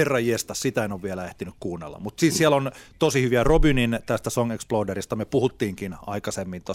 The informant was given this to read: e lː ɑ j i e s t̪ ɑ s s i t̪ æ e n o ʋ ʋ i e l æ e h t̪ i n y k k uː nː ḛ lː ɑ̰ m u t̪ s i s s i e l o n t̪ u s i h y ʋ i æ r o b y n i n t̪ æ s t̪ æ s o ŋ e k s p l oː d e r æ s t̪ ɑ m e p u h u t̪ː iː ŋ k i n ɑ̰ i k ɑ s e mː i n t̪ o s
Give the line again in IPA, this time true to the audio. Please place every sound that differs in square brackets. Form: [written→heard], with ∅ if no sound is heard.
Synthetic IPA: e [lː→rː] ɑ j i e s t̪ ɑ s s i t̪ æ e n o ʋ ʋ i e l æ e h t̪ i n y k k uː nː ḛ lː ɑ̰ m u t̪ s i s s i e l o n t̪ [u→o] s i h y ʋ i æ r o b y n i n t̪ æ s t̪ æ s o ŋ e k s p l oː d e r [æ→i] s t̪ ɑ m e p u h u t̪ː iː ŋ k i n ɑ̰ i k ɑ s e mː i n t̪ o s